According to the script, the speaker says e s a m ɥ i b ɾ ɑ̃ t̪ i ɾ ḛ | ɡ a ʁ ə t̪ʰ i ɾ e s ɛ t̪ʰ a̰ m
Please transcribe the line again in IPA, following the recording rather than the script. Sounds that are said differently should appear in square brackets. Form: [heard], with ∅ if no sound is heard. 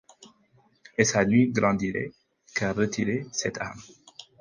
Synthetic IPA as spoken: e s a [n] ɥ i [ɡ] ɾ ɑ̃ [d̪] i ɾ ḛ | [k] a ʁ ə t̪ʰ i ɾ e s ɛ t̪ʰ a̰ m